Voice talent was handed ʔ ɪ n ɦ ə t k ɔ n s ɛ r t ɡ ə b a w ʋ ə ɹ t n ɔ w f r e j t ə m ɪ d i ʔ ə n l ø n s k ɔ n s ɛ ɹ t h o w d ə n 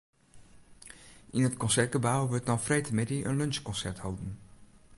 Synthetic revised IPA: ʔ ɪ n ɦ ə t k ɔ n s ɛ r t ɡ ə b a w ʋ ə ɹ t n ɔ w f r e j t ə m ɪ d i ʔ ə n l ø n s k ɔ n s ɛ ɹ t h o w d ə n